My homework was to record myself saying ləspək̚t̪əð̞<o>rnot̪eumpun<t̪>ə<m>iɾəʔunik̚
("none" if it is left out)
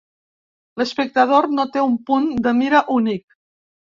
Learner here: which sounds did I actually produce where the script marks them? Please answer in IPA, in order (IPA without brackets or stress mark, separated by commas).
o, d̪, m